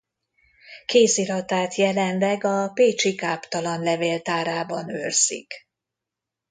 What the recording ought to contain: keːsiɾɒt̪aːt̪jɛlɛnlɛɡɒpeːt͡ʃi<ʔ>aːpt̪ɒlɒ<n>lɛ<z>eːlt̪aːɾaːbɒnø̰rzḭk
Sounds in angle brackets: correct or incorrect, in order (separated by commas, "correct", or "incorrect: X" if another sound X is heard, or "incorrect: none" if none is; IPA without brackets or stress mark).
incorrect: k, correct, incorrect: v